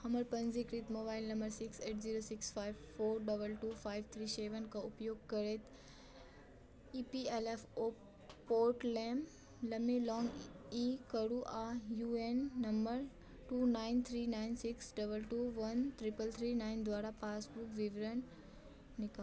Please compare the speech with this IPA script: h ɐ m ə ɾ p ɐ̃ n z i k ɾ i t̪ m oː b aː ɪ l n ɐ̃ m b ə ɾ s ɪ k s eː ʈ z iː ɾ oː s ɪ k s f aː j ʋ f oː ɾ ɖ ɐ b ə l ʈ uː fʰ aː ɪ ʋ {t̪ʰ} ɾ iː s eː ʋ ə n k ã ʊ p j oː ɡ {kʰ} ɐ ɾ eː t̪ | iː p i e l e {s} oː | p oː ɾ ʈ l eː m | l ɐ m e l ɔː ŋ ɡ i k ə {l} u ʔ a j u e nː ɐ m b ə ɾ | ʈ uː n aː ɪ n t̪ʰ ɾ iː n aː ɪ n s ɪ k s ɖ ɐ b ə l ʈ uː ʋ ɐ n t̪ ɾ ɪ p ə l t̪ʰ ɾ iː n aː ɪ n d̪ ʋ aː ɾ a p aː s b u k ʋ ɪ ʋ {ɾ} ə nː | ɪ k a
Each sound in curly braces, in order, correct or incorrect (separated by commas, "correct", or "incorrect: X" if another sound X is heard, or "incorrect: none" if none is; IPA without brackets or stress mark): correct, incorrect: k, incorrect: f, incorrect: ɽ, correct